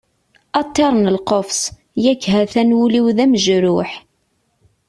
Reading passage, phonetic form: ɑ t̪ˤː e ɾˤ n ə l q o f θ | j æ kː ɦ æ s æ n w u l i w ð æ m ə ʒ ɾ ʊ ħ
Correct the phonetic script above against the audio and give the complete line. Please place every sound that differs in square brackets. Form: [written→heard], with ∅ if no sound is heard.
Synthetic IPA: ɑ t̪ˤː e ɾˤ n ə l q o f [θ→s] | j æ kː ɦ æ [s→θ] æ n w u l i w ð æ m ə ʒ ɾ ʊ ħ